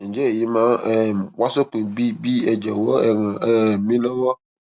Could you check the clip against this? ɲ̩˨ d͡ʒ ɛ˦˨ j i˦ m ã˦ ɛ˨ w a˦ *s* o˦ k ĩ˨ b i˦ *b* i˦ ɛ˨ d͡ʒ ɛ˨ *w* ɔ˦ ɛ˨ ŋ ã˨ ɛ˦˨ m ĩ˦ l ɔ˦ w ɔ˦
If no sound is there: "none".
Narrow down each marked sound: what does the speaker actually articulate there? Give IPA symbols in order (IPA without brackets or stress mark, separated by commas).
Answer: s, b, w